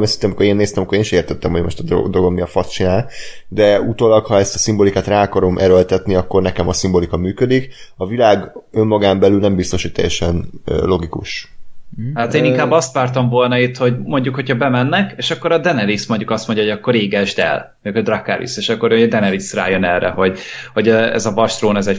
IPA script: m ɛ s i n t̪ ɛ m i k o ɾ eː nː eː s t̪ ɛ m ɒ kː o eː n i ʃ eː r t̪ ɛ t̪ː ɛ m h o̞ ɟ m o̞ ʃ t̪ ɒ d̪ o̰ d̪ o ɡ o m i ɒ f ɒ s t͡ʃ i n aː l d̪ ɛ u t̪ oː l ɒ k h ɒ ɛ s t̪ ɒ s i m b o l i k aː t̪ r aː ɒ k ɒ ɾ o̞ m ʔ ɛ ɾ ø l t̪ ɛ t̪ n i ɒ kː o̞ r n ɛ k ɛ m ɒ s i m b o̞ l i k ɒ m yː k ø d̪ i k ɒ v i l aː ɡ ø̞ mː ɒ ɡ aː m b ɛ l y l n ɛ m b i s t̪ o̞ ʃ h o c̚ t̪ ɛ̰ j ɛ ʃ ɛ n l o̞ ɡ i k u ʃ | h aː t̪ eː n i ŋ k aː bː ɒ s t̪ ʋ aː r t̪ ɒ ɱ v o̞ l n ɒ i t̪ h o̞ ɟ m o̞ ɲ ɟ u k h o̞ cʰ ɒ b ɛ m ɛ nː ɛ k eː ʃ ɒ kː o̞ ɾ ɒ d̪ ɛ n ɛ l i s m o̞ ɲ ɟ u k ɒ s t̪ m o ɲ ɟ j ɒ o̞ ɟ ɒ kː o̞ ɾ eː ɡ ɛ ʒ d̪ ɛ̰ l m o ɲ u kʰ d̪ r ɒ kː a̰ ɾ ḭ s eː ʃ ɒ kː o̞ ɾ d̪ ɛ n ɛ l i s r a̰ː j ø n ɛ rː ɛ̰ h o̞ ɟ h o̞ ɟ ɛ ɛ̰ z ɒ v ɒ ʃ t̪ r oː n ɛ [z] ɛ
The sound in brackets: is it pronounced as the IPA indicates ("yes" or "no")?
yes